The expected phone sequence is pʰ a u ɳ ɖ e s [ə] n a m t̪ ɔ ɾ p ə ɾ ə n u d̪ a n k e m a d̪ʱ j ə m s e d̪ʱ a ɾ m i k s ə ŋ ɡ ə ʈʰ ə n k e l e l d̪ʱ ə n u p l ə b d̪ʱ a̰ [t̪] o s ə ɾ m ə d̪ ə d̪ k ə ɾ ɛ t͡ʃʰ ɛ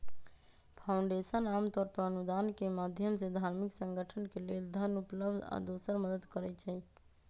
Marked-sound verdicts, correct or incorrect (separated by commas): correct, incorrect